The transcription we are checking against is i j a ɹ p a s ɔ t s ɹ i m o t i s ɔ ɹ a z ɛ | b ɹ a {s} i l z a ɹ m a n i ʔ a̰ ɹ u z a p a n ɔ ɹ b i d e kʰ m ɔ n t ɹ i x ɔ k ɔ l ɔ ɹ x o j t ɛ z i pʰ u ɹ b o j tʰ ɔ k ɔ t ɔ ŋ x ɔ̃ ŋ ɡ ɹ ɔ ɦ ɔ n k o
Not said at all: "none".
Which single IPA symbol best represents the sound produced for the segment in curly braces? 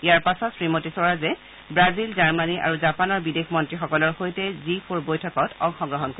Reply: z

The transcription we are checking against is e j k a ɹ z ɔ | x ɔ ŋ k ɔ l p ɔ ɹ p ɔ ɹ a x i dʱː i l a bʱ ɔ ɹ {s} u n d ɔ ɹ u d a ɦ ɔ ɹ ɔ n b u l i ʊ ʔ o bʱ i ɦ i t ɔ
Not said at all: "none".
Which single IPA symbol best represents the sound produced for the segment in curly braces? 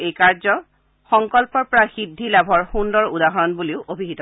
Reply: x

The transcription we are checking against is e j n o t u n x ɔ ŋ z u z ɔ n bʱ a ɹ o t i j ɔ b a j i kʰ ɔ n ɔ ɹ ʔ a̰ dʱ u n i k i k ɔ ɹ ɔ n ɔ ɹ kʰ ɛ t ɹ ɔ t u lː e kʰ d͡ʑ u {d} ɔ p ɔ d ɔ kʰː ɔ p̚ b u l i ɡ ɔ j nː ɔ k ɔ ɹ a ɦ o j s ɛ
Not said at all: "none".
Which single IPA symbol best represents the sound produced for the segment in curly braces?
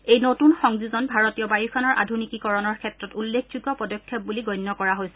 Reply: ɡ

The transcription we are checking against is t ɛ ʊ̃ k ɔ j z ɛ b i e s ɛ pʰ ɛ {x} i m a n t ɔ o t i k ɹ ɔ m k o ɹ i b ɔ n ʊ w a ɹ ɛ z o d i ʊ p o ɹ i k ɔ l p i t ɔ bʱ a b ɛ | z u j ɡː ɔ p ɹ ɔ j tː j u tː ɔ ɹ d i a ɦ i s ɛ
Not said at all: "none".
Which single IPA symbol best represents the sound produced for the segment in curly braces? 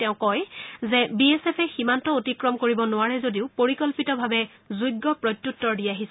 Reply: x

